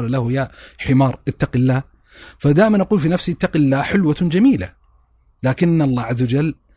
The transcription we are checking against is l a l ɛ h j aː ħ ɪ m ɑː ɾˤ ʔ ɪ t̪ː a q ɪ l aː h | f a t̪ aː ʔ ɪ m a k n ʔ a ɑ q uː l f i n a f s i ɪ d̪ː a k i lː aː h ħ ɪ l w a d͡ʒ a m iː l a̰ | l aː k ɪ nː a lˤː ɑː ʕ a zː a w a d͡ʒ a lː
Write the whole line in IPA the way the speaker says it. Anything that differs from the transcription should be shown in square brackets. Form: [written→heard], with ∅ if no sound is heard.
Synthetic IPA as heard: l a l [ɛ→a] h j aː ħ ɪ m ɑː ɾˤ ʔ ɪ t̪ː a q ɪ [l→lː] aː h | f a [t̪→d̪] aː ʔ ɪ m a [k→∅] n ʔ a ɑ q uː l f i n a f s i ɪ [d̪ː→t̪ː] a [k→q] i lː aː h ħ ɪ l w a d͡ʒ a m iː l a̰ | l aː k ɪ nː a lˤː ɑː ʕ a zː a w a d͡ʒ a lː